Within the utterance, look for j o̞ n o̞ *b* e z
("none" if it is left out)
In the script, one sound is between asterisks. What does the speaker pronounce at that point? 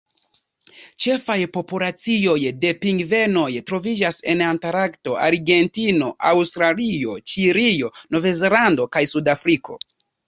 v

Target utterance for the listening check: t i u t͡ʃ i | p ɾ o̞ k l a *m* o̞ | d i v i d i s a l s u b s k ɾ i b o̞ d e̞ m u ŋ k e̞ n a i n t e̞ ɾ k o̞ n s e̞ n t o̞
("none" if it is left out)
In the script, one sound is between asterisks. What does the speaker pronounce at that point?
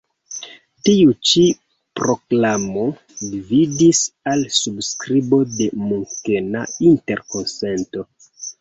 m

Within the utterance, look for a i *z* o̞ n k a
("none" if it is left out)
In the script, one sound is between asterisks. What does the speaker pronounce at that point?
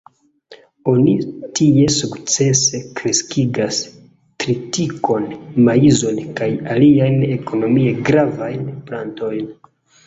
z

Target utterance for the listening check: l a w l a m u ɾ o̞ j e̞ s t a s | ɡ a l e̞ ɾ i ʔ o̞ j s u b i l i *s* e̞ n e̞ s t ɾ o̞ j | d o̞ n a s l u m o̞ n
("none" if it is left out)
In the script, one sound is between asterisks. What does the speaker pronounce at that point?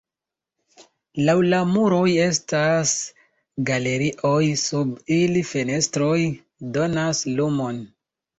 f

